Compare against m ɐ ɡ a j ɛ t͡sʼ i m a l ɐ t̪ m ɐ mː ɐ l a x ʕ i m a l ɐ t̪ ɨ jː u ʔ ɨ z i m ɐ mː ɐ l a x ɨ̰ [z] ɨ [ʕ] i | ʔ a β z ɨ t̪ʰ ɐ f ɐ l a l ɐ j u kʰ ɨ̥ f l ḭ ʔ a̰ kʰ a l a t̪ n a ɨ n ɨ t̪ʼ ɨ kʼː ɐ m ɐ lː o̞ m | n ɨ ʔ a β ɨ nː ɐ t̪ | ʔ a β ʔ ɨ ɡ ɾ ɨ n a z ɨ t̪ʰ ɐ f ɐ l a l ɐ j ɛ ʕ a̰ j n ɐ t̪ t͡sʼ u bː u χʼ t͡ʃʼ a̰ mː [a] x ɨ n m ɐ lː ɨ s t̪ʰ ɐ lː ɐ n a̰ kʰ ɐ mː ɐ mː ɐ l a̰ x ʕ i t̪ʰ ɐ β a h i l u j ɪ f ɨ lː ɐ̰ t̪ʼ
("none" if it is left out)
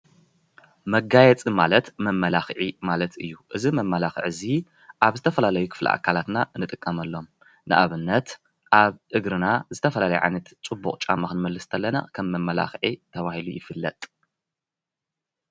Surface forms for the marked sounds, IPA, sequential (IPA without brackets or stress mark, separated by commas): ʕ, z, a